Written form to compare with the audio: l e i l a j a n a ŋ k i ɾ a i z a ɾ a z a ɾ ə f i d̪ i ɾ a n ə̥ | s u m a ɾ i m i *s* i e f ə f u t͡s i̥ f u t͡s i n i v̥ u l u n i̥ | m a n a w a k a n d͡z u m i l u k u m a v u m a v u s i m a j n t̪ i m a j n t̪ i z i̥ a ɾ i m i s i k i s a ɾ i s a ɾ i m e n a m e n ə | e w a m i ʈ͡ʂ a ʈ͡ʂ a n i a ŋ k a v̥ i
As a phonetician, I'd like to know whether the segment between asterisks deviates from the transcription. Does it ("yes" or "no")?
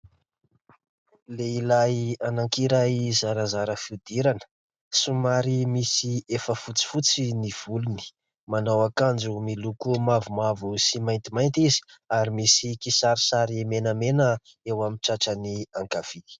no